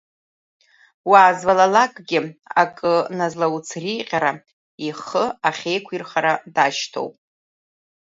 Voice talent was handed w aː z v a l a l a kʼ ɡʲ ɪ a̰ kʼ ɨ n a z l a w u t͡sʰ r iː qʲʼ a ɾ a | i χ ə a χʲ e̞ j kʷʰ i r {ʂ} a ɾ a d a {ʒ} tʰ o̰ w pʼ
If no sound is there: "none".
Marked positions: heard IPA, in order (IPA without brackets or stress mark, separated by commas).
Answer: χ, ʃ